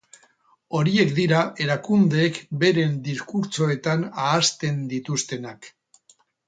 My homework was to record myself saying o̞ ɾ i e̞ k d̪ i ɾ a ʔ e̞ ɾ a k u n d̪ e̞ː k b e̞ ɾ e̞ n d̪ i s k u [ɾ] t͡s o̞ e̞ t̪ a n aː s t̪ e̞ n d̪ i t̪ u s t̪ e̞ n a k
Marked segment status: correct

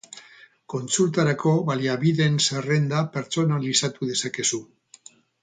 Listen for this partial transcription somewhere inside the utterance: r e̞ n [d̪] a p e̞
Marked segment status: correct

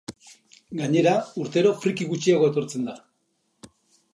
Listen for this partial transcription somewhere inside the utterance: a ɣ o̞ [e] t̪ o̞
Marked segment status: correct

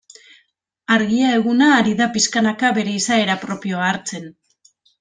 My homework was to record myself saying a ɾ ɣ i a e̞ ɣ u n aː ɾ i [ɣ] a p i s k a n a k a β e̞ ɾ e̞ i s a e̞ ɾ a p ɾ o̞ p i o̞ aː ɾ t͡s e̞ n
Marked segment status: incorrect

